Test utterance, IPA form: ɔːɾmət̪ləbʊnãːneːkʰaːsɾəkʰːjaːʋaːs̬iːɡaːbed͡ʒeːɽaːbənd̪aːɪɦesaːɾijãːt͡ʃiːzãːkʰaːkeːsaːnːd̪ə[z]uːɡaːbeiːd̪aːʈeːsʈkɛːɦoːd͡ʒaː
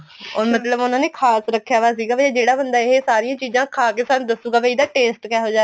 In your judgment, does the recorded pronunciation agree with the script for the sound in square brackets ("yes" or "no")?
no